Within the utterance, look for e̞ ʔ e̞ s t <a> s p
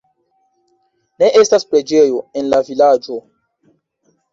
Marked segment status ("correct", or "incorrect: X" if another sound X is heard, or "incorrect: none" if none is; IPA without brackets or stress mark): correct